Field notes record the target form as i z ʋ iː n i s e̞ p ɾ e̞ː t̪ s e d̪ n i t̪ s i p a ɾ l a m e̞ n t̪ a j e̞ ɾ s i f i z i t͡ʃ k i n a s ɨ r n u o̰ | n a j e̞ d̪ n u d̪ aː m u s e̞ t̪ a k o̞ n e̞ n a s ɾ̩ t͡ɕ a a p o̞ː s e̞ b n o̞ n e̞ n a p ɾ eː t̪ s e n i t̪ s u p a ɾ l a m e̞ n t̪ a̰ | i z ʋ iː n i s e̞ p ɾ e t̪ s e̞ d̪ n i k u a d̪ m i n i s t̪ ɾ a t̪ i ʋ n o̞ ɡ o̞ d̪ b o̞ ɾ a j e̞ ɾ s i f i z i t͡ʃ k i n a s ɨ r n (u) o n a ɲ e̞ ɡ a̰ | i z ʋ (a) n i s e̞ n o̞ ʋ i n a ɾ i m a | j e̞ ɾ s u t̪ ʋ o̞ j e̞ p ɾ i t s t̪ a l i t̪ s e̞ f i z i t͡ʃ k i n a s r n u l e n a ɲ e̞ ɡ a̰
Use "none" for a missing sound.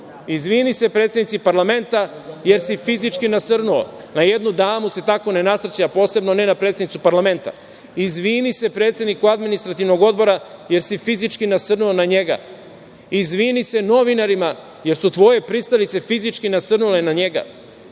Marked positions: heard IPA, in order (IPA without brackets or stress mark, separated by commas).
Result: u, i